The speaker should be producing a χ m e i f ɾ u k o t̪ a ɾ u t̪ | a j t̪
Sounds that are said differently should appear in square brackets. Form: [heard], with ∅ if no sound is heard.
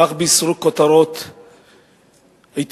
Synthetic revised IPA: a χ [b] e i [s] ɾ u k o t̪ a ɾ [o] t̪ | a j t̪